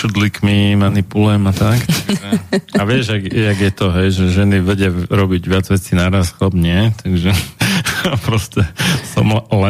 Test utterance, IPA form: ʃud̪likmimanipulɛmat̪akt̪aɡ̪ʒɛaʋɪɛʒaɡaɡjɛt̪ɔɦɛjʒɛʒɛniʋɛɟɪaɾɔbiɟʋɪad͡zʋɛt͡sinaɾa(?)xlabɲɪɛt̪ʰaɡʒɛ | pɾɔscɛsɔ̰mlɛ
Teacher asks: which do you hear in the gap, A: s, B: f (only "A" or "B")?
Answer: A